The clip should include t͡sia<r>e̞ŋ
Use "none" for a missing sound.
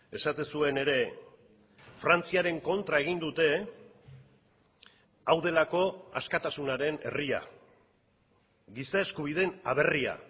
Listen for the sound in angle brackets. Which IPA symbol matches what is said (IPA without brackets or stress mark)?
ɾ